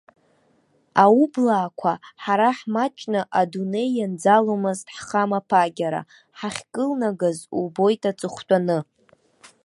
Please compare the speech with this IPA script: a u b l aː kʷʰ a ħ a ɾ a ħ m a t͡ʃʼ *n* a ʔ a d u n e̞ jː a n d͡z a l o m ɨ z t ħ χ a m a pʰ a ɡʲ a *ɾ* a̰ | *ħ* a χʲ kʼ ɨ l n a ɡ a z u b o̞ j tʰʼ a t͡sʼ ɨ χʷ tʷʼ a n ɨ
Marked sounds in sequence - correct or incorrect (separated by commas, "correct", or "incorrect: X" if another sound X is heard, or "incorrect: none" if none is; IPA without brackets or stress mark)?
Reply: correct, correct, correct